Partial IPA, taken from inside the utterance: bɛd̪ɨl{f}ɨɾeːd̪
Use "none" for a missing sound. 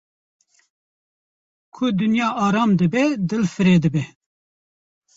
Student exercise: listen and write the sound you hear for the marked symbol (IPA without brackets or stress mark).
f